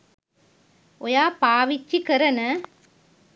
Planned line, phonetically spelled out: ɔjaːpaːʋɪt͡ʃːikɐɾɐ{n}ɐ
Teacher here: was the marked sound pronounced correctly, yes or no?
yes